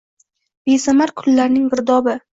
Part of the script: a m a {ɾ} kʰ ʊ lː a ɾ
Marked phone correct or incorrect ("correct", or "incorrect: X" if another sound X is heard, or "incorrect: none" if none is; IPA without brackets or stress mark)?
correct